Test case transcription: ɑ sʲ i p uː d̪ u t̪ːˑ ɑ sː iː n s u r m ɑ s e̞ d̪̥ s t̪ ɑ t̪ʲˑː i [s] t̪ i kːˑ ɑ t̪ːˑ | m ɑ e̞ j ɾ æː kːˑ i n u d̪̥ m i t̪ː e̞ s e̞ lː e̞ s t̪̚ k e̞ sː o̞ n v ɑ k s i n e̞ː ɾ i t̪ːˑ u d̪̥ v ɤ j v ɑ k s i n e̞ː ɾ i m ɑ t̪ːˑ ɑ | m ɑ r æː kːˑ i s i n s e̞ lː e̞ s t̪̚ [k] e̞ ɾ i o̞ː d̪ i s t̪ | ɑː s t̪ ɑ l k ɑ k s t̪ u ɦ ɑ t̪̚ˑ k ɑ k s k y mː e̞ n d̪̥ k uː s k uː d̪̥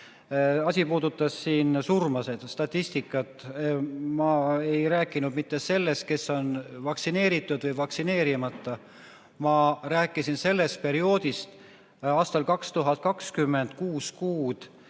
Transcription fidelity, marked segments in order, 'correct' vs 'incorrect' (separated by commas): correct, incorrect